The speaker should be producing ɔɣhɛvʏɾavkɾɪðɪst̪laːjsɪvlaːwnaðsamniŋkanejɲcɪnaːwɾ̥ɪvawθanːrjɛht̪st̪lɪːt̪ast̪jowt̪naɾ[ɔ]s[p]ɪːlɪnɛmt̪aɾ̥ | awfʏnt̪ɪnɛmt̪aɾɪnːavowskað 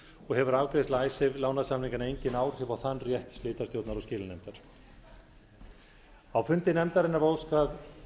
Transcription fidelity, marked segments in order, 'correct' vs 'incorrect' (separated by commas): correct, incorrect